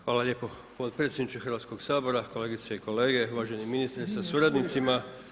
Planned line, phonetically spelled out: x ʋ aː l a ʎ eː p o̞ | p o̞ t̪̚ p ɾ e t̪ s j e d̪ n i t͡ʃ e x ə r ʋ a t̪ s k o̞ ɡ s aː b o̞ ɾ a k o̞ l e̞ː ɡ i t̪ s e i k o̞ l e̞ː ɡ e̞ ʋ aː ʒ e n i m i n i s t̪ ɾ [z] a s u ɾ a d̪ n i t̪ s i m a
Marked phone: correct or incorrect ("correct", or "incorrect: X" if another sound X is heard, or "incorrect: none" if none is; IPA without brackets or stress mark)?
incorrect: s